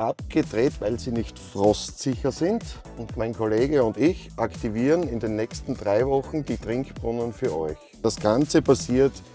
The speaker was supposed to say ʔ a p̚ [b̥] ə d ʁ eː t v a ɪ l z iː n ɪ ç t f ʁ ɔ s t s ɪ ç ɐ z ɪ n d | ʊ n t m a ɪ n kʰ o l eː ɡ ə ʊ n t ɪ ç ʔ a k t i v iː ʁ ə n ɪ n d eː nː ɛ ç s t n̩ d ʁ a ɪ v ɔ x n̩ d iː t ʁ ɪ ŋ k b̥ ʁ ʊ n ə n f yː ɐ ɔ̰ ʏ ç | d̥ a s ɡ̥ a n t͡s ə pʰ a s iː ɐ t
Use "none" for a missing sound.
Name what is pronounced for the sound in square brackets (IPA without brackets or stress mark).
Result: ɡ̥